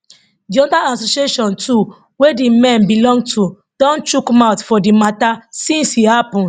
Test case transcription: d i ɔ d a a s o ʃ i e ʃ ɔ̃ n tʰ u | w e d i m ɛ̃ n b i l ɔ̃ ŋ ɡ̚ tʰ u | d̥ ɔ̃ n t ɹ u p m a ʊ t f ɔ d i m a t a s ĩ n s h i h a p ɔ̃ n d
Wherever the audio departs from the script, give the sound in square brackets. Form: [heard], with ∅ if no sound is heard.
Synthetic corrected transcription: d i ɔ d a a s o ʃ i e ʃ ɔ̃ n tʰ u | w e d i m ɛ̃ n b i l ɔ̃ ŋ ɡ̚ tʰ u | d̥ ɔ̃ n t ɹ u [k] m a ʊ t f ɔ d i m a t a s ĩ n s h i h a p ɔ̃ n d